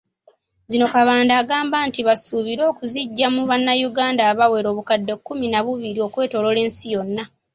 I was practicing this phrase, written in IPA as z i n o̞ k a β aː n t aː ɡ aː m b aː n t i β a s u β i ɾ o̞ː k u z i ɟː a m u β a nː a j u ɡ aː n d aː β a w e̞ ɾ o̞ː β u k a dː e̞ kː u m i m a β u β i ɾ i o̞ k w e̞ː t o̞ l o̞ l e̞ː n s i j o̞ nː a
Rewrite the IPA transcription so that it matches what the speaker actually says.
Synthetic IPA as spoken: z i n o̞ k a β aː n d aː ɡ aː m b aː n t i β a s u β i ɾ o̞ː k u z i ɟː a m u β a nː a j u ɡ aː n d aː β a w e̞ ɾ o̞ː β u k a dː e̞ kː u m i n a β u β i ɾ i o̞ k w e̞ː t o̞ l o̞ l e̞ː n s i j o̞ nː a